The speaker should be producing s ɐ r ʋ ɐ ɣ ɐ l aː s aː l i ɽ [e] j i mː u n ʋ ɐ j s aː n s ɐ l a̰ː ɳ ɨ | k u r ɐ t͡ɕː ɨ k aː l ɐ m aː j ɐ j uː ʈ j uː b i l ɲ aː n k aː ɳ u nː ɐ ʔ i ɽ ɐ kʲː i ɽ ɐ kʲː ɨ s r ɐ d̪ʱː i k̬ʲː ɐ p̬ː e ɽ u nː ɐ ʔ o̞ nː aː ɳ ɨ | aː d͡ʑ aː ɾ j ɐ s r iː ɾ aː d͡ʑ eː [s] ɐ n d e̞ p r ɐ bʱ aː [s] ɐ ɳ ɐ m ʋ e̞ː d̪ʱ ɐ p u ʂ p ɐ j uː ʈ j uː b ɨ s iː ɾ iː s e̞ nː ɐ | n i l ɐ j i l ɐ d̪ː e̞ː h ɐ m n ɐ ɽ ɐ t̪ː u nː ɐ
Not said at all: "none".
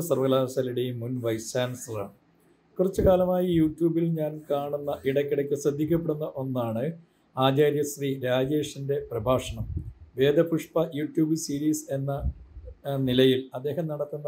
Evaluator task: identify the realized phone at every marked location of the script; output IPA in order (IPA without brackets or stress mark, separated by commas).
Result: e, ʂ, ʂ